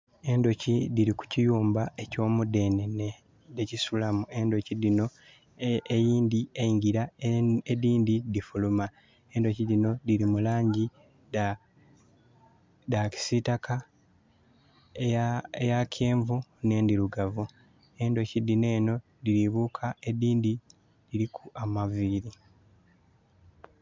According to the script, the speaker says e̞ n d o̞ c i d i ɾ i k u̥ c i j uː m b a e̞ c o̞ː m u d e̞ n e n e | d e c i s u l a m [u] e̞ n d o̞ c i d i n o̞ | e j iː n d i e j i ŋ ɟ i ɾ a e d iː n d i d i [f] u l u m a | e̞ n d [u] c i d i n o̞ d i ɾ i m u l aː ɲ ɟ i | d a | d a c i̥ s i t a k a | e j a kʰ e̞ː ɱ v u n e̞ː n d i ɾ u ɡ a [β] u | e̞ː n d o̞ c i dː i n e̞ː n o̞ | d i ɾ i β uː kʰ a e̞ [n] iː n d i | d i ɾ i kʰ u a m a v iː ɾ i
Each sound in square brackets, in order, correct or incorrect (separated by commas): correct, correct, incorrect, incorrect, incorrect